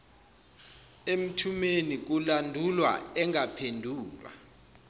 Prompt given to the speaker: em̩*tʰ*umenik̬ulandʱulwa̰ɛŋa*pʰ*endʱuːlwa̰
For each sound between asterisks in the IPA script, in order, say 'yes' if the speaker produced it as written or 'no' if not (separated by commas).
yes, yes